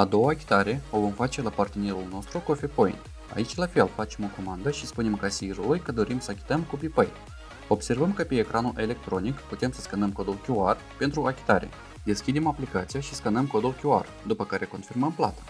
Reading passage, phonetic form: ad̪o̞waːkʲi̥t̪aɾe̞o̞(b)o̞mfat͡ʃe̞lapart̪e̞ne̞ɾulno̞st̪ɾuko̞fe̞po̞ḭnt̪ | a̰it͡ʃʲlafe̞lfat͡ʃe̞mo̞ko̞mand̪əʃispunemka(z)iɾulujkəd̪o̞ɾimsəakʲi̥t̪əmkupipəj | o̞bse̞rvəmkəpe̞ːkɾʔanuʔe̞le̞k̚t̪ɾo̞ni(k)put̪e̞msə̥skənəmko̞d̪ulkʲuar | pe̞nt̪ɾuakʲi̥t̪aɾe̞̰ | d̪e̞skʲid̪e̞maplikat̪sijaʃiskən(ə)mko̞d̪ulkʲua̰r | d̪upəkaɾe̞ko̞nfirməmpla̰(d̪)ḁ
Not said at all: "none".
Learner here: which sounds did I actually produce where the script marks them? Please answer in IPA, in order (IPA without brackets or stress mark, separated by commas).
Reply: v, s, k, ə, t̪